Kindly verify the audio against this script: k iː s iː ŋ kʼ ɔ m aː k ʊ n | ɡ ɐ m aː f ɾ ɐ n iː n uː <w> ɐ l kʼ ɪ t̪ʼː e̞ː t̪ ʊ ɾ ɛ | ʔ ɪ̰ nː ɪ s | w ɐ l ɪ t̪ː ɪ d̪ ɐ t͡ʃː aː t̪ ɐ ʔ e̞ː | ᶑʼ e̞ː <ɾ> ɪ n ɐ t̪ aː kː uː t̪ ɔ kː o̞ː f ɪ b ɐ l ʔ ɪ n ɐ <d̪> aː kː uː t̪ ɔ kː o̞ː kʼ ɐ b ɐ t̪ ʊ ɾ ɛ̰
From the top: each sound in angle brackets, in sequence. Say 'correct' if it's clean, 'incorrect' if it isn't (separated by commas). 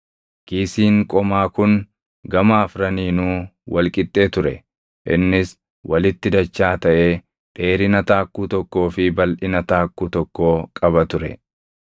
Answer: correct, correct, incorrect